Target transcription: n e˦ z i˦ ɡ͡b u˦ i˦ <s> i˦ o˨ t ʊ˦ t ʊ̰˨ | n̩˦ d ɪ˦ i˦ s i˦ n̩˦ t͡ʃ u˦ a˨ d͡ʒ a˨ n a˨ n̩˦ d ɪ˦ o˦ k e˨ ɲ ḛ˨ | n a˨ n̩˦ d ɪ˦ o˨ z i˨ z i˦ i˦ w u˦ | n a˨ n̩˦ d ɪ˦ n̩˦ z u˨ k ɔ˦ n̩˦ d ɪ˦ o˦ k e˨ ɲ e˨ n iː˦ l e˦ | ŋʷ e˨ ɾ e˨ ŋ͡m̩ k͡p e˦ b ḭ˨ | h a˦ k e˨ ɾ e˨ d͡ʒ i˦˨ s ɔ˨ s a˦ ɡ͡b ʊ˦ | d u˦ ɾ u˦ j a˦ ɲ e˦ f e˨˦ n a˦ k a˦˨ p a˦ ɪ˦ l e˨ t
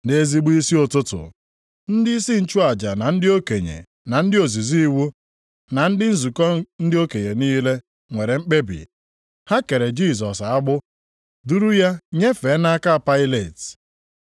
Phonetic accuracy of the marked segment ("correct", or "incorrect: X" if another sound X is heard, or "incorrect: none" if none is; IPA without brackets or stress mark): correct